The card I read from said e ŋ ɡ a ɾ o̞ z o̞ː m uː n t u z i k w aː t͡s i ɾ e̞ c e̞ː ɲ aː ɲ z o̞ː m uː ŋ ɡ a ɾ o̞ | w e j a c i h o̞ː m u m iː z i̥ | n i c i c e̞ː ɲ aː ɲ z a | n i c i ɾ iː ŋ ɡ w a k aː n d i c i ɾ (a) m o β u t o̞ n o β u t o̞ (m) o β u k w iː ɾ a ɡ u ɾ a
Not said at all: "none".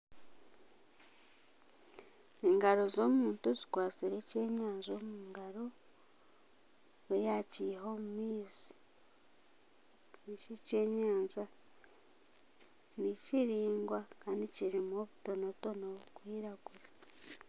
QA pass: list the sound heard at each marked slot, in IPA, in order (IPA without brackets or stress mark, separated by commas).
i, n